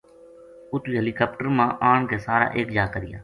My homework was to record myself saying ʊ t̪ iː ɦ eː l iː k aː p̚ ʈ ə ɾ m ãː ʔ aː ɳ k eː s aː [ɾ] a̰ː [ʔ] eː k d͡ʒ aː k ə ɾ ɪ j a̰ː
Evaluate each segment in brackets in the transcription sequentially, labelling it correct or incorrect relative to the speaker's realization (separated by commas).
correct, correct